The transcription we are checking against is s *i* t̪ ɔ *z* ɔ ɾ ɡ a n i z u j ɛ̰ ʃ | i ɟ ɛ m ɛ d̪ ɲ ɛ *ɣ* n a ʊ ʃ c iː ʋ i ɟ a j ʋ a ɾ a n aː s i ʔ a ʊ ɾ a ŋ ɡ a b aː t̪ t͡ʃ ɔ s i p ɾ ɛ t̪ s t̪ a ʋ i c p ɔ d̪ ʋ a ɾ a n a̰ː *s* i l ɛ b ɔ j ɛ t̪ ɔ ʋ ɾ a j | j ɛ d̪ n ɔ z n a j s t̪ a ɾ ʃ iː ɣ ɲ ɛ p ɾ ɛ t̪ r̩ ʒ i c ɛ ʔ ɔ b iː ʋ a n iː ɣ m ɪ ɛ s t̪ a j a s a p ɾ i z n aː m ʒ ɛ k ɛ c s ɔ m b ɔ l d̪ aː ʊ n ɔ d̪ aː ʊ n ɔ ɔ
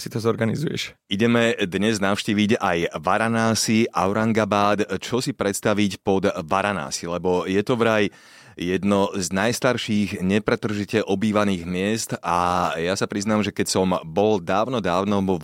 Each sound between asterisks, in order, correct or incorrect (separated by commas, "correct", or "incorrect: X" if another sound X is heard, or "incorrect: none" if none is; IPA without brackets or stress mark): correct, correct, incorrect: z, correct